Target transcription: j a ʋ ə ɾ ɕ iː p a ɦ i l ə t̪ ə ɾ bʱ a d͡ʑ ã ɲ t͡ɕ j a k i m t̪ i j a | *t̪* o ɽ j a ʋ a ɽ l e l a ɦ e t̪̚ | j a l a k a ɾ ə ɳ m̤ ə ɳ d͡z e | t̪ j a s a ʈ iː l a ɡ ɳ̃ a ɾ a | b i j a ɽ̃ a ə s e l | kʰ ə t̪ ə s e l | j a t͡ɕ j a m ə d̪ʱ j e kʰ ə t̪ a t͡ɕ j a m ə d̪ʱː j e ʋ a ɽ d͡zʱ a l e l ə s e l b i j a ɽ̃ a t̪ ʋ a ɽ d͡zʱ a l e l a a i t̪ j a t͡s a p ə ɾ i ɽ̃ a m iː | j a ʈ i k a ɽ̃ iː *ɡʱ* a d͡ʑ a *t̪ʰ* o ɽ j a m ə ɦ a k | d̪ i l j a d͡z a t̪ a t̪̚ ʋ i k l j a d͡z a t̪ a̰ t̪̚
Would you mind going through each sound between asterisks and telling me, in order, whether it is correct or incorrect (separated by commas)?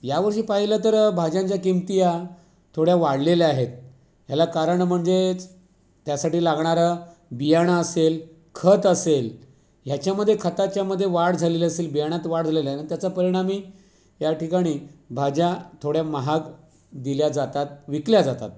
incorrect, incorrect, correct